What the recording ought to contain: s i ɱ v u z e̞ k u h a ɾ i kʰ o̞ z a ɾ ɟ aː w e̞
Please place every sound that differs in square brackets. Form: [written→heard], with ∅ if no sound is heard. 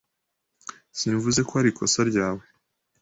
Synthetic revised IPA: s i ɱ v u z e̞ k [u→o] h a ɾ i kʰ o̞ [z→s] a ɾ ɟ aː w e̞